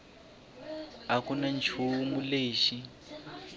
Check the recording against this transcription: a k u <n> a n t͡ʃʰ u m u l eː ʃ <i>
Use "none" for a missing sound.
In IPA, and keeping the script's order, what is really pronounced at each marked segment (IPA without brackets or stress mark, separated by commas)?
n, i